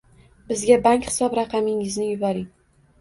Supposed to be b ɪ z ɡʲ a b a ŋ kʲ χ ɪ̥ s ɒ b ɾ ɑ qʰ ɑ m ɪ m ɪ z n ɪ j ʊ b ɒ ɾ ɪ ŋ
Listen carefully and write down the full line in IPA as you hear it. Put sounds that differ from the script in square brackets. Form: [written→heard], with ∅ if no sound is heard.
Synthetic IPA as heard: b ɪ z ɡʲ a b a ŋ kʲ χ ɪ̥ s ɒ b ɾ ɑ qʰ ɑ m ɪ [m→ŋ] ɪ z n ɪ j ʊ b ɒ ɾ ɪ ŋ